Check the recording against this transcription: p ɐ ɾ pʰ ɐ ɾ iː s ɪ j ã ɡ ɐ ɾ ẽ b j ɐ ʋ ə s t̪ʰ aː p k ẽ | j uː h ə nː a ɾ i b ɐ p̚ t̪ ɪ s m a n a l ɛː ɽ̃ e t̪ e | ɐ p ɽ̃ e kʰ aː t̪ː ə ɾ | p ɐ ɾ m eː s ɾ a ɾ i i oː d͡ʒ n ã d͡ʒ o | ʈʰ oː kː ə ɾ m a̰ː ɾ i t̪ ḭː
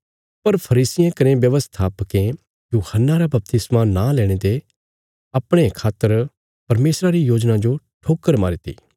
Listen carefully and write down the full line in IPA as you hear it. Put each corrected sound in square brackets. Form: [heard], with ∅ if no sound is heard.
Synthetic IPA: p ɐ ɾ pʰ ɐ ɾ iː s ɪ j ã [k] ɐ ɾ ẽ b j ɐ ʋ ə s t̪ʰ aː p k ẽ | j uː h ə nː a ɾ [a] b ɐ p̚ t̪ ɪ s m a n a l ɛː ɽ̃ e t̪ e | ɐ p ɽ̃ e kʰ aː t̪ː ə ɾ | p ɐ ɾ m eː s ɾ a ɾ i [j] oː d͡ʒ n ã d͡ʒ o | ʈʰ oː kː ə ɾ m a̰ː ɾ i t̪ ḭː

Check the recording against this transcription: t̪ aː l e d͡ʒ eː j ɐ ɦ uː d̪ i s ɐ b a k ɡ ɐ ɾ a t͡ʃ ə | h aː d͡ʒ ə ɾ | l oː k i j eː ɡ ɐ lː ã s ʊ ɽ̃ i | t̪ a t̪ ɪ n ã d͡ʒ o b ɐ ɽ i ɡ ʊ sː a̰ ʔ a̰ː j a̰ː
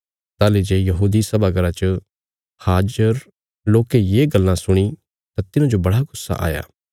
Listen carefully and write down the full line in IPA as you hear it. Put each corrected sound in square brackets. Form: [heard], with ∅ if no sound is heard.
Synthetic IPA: t̪ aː l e d͡ʒ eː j ɐ ɦ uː d̪ i s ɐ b a [∅] ɡ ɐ ɾ a t͡ʃ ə | h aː d͡ʒ ə ɾ | l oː k [e] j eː ɡ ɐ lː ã s ʊ ɽ̃ i | t̪ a t̪ ɪ n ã d͡ʒ o b ɐ ɽ [a] ɡ ʊ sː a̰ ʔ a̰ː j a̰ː

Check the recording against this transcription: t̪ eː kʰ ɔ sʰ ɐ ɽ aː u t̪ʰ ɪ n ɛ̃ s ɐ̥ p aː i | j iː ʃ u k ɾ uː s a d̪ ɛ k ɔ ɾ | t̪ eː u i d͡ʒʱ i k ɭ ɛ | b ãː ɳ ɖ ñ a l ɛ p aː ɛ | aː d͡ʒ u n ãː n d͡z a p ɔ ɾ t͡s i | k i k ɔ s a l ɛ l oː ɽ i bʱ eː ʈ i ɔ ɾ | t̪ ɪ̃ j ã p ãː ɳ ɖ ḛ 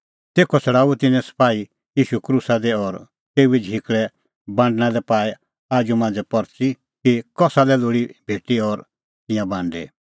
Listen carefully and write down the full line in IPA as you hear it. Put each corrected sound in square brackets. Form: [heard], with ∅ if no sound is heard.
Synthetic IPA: t̪ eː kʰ ɔ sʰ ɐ ɽ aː u [t̪] ɪ n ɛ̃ s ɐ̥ p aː i | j iː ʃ u k ɾ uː s a d̪ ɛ [∅] ɔ ɾ | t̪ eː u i d͡ʒʱ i k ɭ ɛ | b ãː ɳ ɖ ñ a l ɛ p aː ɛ | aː d͡ʒ u [m] ãː n d͡z [ɛ] p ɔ ɾ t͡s i | k i k ɔ s a l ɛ l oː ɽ i bʱ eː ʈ i ɔ ɾ | t̪ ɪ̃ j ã [b] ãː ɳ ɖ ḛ

